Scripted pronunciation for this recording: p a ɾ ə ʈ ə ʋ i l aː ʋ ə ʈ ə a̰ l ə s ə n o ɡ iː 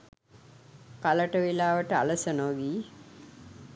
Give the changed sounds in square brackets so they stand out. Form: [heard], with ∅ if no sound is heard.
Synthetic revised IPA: [k] a [l] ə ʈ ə ʋ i l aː ʋ ə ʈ ə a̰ l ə s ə n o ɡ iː